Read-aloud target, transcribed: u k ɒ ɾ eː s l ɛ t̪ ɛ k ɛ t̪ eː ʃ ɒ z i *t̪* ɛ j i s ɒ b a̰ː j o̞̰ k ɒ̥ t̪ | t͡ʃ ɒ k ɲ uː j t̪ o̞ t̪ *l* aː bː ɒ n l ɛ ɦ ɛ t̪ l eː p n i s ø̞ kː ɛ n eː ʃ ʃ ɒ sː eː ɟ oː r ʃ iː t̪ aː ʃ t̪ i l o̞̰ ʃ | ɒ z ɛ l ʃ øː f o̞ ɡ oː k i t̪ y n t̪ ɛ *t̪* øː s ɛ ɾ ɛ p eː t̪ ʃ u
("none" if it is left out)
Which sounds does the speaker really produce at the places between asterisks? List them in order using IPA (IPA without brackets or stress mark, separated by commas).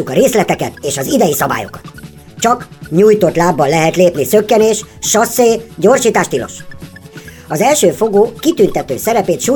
d̪, l, t̪